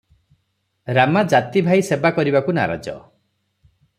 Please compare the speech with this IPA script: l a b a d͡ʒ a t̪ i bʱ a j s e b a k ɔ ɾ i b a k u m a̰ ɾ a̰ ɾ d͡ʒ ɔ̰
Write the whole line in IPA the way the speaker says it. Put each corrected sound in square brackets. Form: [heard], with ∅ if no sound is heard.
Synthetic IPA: [ɾ] a [m] a d͡ʒ a t̪ i bʱ a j s e b a k ɔ ɾ i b a k u [n] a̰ ɾ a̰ [∅] d͡ʒ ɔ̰